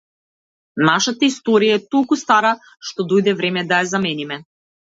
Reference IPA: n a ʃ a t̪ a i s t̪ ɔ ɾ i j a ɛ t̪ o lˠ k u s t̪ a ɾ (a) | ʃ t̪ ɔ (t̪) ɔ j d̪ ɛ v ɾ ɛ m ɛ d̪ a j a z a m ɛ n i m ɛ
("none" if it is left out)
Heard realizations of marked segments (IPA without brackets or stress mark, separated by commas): a, d̪